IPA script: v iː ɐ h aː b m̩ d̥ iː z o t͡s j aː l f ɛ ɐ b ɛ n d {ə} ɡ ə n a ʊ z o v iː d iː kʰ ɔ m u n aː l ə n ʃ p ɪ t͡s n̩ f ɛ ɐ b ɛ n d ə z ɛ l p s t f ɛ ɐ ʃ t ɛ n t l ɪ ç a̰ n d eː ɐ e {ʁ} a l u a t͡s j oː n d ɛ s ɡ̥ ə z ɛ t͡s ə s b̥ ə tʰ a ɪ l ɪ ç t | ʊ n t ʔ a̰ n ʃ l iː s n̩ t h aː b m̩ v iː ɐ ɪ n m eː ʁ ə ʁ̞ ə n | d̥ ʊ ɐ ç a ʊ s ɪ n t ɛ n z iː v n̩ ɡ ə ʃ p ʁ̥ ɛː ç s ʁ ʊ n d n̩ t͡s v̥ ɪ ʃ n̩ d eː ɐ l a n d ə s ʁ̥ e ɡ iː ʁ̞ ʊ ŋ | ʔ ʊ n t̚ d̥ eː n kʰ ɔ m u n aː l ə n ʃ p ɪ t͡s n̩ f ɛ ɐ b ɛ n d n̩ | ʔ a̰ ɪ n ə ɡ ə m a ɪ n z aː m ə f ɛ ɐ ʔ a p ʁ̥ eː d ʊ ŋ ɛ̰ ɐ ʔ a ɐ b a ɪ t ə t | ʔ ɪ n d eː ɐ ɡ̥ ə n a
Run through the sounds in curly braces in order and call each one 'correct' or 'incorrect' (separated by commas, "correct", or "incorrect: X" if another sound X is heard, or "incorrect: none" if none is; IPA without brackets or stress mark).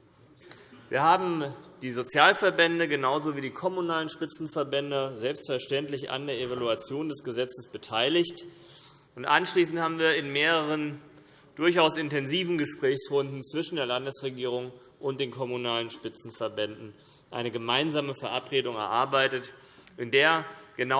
correct, incorrect: v